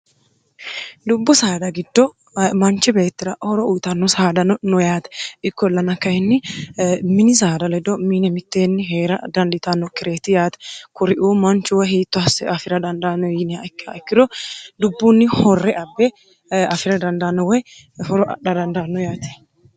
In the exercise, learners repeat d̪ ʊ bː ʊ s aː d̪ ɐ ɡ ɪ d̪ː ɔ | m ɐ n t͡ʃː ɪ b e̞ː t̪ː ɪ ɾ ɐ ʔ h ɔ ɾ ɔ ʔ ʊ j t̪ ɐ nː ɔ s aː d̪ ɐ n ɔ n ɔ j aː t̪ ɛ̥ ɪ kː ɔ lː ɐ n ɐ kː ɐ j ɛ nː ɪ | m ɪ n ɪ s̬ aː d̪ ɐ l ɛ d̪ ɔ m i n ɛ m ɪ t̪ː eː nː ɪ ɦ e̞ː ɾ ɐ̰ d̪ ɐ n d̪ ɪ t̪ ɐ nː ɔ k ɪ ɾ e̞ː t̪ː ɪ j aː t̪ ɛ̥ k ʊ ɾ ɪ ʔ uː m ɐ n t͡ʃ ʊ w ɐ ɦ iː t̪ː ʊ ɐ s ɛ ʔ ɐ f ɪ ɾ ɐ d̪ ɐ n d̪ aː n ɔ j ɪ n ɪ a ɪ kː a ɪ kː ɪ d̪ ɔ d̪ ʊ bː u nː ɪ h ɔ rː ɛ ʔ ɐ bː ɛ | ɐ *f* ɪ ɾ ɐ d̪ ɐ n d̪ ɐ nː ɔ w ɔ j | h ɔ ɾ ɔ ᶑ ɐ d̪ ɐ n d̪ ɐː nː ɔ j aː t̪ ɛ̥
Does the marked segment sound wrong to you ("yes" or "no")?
no